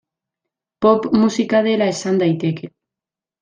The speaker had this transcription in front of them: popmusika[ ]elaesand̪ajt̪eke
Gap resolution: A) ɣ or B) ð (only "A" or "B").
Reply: B